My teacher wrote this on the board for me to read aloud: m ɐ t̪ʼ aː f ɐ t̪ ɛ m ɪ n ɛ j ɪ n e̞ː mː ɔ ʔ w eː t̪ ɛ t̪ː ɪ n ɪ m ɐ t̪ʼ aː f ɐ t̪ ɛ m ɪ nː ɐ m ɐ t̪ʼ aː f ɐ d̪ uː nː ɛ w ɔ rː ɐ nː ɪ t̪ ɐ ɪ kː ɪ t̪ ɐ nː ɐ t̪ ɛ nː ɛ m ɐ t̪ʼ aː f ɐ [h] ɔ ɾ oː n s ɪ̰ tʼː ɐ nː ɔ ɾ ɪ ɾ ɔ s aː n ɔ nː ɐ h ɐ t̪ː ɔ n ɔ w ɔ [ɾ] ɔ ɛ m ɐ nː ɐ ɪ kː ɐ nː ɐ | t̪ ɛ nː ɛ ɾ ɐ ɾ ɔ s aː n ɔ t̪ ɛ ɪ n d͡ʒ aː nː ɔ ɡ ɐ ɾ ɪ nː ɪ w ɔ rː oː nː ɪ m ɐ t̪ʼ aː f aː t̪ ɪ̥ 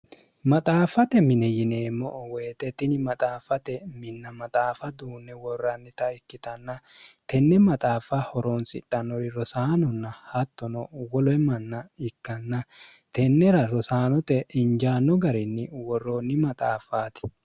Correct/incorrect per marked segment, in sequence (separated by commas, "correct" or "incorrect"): correct, incorrect